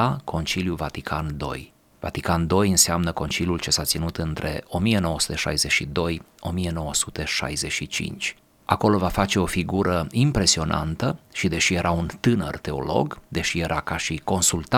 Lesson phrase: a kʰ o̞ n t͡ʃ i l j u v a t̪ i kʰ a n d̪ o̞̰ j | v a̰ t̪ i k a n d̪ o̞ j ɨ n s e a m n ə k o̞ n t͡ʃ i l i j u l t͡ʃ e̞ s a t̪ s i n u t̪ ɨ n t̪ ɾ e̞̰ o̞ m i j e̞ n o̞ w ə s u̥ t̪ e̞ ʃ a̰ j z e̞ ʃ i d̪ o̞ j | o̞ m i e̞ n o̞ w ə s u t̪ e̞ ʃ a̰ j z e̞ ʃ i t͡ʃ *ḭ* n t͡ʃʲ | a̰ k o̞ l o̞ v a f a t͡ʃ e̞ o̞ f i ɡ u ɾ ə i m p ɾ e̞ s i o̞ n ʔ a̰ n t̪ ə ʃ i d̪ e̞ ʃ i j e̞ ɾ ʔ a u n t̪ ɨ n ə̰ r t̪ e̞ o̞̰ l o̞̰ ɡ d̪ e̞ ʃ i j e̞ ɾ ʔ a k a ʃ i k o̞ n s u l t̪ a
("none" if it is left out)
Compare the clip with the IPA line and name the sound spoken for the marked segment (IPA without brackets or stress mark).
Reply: ḭ